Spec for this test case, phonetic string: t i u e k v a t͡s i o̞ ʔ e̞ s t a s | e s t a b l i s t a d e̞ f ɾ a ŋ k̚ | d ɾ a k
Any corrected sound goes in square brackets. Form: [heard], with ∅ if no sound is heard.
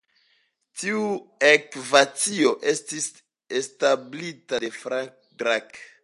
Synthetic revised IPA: t i u e k v a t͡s i o̞ ʔ e̞ s t [i] s | e s t a b l i [∅] t a d e̞ f ɾ a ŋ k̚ | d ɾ a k